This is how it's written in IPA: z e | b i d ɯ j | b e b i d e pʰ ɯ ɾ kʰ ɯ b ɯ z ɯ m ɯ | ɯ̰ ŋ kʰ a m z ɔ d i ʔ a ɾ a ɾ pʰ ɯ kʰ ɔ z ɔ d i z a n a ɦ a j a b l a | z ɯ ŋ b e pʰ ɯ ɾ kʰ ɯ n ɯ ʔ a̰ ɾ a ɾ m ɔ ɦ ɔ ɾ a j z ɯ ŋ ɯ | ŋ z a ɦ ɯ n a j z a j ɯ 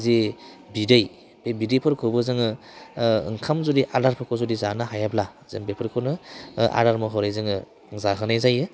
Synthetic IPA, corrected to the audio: z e | b i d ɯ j | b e b i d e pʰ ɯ ɾ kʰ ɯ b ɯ z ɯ ŋ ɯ | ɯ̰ ŋ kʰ a m z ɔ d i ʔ a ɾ a ɾ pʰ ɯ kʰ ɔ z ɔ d i z a n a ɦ a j a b l a | z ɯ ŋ b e pʰ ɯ ɾ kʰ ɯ n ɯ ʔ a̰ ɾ a ɾ m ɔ ɦ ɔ ɾ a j z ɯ ŋ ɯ | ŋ z a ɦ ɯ n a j z a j ɯ